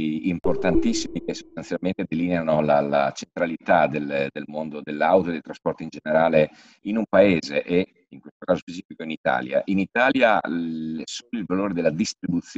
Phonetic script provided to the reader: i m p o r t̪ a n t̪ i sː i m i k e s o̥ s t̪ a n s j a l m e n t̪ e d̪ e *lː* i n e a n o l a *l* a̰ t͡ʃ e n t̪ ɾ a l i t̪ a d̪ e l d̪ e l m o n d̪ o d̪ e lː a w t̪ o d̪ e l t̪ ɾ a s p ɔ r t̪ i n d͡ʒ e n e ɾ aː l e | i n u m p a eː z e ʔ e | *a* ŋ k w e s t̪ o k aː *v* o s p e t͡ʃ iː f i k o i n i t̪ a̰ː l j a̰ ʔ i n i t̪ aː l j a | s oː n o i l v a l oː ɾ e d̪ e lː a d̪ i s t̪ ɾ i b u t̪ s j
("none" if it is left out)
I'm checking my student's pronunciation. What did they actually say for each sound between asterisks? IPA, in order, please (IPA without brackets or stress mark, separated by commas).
l, l, i, z